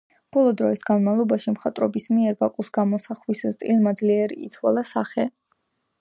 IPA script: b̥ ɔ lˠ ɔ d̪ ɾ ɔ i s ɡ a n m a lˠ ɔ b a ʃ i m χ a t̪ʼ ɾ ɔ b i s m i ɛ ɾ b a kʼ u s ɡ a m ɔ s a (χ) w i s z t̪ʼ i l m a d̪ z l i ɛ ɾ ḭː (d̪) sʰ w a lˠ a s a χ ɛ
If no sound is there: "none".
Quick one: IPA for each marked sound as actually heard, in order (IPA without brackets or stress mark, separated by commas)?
χ, t̪